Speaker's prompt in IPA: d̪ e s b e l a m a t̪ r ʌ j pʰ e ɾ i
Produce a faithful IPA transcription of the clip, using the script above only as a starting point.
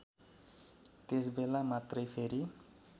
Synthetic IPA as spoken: t̪ e s b e l a m a t̪ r ʌ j pʰ e ɾ i